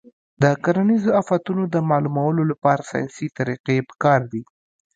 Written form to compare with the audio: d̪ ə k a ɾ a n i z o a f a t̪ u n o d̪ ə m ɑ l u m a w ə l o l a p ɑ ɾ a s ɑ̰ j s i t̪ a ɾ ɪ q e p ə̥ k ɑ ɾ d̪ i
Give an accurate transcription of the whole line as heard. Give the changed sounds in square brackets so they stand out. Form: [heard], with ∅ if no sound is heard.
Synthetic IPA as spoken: d̪ ə k a ɾ a n i z o a f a t̪ u n o d̪ ə m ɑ l u m a w ə l o l a p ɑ ɾ a s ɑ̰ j s i t̪ a ɾ [i] q e p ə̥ k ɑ ɾ d̪ i